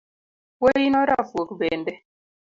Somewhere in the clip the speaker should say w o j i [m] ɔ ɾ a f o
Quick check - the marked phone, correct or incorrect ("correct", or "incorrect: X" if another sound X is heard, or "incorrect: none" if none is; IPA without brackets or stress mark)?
incorrect: n